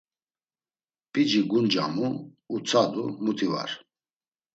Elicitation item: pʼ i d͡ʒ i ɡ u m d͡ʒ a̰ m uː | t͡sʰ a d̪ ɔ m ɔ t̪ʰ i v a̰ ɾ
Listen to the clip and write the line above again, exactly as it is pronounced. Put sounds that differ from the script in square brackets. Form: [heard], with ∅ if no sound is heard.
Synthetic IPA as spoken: pʼ i d͡ʒ i ɡ u [n] d͡ʒ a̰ m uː | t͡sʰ a d̪ [u] m [u] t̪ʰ i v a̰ ɾ